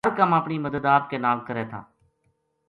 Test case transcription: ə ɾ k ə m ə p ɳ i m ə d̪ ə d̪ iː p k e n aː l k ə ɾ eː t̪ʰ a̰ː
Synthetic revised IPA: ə ɾ k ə m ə p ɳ i m ə d̪ ə d̪ aː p k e n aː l k ə ɾ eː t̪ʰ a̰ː